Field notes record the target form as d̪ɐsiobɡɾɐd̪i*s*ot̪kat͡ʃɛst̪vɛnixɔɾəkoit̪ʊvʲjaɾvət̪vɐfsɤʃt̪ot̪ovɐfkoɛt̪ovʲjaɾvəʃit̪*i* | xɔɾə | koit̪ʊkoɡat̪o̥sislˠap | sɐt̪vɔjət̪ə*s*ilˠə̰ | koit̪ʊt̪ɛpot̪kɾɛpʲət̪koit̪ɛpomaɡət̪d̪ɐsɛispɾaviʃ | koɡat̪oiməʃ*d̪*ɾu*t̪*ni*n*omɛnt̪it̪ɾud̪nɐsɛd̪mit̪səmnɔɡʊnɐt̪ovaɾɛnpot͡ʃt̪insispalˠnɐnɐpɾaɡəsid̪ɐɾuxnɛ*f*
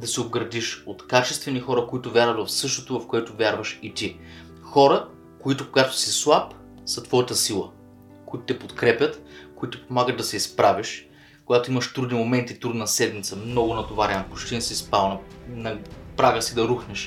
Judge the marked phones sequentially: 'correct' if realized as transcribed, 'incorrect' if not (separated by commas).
incorrect, correct, correct, incorrect, incorrect, incorrect, incorrect